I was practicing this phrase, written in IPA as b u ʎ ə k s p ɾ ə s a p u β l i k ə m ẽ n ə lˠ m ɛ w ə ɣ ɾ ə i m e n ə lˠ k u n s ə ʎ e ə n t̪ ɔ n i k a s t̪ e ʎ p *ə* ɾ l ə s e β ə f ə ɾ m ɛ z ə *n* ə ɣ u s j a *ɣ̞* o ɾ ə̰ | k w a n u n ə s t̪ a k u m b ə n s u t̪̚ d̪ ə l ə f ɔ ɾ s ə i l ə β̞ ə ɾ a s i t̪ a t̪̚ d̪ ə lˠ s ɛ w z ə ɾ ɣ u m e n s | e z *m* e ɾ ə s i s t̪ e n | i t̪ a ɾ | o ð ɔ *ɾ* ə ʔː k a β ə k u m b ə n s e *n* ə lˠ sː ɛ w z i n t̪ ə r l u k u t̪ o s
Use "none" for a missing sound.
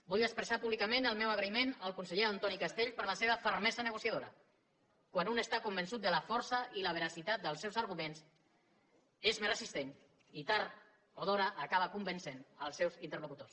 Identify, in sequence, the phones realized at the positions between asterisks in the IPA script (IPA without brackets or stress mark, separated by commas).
ə, n, ð̞, m, ɾ, n